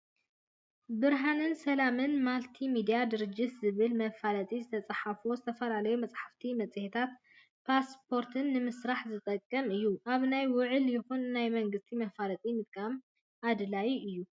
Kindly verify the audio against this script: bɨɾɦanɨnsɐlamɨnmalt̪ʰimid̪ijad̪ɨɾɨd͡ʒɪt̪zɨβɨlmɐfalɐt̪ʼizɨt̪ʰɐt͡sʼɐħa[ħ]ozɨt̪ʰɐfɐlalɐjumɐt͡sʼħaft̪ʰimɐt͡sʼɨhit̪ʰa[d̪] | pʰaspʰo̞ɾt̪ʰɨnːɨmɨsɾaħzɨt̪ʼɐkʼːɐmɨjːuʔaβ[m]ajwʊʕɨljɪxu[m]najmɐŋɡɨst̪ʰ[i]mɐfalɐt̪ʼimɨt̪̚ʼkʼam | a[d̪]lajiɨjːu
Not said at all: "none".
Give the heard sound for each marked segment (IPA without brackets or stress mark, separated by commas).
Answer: f, t̪, n, n, i, d̪